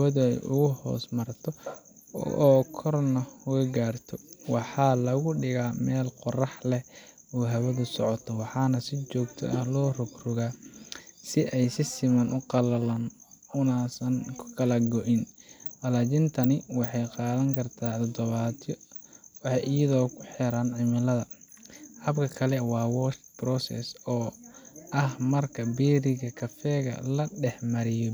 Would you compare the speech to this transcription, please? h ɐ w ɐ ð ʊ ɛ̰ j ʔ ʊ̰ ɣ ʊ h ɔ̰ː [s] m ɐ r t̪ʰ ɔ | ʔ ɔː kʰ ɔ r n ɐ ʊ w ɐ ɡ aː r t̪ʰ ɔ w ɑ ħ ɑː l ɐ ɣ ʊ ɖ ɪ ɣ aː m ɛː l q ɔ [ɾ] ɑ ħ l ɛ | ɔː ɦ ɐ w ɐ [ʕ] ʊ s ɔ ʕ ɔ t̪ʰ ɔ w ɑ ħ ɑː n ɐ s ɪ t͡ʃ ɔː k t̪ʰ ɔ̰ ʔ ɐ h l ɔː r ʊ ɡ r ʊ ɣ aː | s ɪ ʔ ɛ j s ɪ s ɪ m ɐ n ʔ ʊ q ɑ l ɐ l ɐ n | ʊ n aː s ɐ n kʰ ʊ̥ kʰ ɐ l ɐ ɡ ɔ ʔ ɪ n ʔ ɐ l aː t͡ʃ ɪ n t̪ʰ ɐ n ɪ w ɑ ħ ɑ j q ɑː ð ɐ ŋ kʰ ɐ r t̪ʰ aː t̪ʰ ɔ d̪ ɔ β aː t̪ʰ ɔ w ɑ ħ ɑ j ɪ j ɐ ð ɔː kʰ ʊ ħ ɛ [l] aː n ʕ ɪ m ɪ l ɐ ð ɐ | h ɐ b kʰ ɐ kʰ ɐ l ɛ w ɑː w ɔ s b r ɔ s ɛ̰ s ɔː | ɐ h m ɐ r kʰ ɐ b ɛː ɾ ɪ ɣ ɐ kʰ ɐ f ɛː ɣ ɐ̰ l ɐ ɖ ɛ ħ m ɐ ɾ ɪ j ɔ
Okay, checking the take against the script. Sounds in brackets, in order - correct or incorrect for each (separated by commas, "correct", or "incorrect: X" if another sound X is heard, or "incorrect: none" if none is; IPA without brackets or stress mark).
correct, incorrect: r, incorrect: ð, incorrect: ɾ